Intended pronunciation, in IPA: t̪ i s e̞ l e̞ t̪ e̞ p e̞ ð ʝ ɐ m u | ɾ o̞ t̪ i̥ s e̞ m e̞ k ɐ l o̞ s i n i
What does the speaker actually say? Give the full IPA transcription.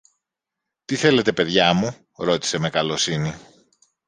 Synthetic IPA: t̪ i θ e̞ l e̞ t̪ e̞ p e̞ ð ʝ ɐ m u | ɾ o̞ t̪ i̥ s e̞ m e̞ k ɐ l o̞ s i n i

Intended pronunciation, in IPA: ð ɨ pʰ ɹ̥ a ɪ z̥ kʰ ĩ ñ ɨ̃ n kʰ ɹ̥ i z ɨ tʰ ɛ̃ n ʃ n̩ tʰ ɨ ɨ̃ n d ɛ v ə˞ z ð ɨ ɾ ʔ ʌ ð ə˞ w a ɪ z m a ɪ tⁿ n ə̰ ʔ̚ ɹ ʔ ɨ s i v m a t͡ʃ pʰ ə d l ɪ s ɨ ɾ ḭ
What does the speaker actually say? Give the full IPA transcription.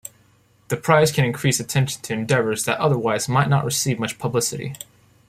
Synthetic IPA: ð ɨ pʰ ɹ̥ a ɪ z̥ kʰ ɨ̃ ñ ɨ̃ n kʰ ɹ̥ i s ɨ tʰ ɛ̃ n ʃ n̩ tʰ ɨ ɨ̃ n d ɛ v ə˞ z ð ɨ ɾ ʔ ʌ ð ə˞ w a ɪ z m a ɪ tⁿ n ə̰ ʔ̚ ɹ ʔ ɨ s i v m ʌ t͡ʃ pʰ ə b l ɪ s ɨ ɾ ḭ

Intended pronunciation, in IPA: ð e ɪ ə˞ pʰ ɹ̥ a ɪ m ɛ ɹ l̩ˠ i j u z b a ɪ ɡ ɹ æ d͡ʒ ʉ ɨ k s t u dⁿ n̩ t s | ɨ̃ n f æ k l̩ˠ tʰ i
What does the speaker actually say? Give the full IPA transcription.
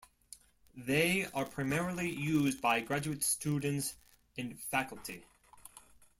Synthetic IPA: ð e ɪ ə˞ pʰ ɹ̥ a ɪ m ɛ ɹ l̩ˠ i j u z b a ɪ ɡ ɹ æ d͡ʒ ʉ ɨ t s t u dⁿ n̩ t s | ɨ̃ n f æ k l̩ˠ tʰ i

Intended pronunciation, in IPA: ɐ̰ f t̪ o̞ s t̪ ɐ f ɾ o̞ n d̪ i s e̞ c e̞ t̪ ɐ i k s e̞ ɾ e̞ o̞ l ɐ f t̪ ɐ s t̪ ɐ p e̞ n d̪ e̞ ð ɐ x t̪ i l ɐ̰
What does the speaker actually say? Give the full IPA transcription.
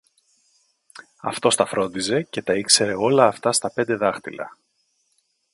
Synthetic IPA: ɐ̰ f t̪ o̞ s t̪ ɐ f ɾ o̞ n d̪ i z e̞ c e̞ t̪ ɐ i k s e̞ ɾ e̞ o̞ l ɐː f t̪ ɐ s t̪ ɐ p e̞ n d̪ e̞ ð ɐ x t̪ i l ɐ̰

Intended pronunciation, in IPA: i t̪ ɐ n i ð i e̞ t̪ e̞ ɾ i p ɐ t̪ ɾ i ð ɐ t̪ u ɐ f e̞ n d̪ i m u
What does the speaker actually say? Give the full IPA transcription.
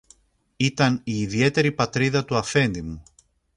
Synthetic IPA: i t̪ ɐ n iː ð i e̞ t̪ e̞ ɾ i p ɐ t̪ ɾ i ð ɐ t̪ u ɐ f e̞ n d̪ i m u

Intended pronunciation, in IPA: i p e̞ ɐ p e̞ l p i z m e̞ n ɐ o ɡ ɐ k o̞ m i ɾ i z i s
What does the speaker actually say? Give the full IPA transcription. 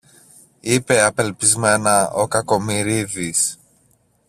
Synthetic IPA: i p e̞ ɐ p e̞ l p i z m e̞ n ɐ o k ɐ k o̞ m i ɾ i ð i s

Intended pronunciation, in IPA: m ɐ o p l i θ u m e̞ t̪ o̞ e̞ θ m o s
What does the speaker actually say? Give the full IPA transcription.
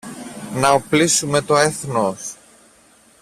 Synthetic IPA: n ɐ o p l i s u m e̞ t̪ o̞ e̞ θ n o s

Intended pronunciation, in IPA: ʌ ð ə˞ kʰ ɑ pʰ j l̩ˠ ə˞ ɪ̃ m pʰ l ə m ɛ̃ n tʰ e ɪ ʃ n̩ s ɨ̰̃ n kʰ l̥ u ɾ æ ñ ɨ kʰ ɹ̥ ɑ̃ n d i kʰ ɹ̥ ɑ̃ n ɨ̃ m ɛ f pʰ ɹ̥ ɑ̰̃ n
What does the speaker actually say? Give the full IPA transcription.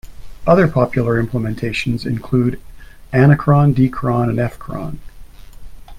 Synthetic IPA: ʌ ð ə˞ pʰ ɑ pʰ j l̩ˠ ə˞ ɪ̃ m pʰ l ə m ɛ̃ n tʰ e ɪ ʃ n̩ z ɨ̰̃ n kʰ l̥ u ɾ æ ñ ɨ kʰ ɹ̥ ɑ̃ n d i kʰ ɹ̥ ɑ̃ n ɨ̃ n ɛ f kʰ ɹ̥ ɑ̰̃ n

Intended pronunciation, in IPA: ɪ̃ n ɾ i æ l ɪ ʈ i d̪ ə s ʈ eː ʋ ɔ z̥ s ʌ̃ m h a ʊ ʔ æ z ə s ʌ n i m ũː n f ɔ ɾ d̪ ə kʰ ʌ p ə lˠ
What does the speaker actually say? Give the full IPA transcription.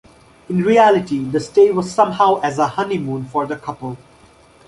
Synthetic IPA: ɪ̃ n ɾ i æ l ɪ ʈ i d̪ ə s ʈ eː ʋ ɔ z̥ s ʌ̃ m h a ʊ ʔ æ z ə h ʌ n i m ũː n f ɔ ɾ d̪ ə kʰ ʌ p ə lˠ

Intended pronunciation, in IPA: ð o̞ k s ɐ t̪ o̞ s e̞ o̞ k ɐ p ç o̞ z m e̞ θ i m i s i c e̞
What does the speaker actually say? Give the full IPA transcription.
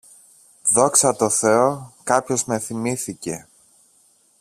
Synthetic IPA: ð o̞ k s ɐ t̪ o̞ θ e̞ o̞ k ɐ p ç o̞ z m e̞ θ i m i θ i c e̞

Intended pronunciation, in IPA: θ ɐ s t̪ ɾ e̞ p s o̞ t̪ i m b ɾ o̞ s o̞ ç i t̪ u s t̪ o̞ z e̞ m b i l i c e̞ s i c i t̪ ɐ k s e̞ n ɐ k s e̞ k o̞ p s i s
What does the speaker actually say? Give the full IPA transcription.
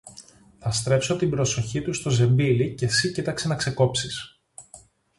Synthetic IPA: θ ɐ s t̪ ɾ e̞ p s o̞ t̪ i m b ɾ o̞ s o̞ ç i t̪ u s t̪ o̞ z e̞ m b i l i c e̞ s i c i t̪ ɐ k s e̞ n ɐ k s e̞ k o̞ p s i s

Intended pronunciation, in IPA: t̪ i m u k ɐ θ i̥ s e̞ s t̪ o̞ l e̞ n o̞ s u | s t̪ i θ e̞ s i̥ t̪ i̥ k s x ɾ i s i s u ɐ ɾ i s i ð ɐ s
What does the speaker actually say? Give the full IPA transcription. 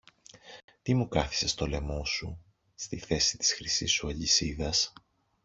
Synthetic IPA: t̪ i m u k ɐ θ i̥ s e̞ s t̪ o̞ l e̞ m o̞ s u | s t̪ i θ e̞ s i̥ t̪ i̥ s x ɾ i s i s u ɐ ʎ i s i ð ɐ s

